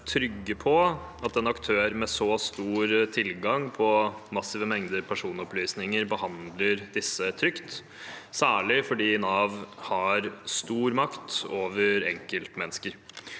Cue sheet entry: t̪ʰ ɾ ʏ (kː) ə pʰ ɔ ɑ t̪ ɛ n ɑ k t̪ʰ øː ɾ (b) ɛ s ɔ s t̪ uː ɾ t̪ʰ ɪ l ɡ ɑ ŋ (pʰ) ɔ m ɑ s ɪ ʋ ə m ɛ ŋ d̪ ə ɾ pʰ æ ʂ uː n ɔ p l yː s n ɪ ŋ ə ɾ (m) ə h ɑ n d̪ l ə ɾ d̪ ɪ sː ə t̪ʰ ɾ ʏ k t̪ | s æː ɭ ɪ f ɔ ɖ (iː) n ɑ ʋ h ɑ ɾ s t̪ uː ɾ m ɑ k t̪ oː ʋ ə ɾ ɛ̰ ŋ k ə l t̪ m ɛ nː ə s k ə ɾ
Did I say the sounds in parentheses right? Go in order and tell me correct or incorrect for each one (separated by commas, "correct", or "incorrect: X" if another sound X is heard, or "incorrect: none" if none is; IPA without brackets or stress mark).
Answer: incorrect: ɡː, incorrect: m, correct, incorrect: b, correct